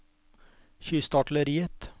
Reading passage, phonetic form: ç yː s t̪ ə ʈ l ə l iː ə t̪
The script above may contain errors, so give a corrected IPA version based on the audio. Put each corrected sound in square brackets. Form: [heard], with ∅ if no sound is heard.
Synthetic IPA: ç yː s t̪ [ɑ] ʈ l ə [ɾ] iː ə t̪